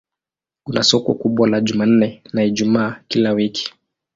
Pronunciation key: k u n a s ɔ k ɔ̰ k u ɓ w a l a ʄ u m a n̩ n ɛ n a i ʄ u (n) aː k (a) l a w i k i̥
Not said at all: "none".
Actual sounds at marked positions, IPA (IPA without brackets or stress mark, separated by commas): m, i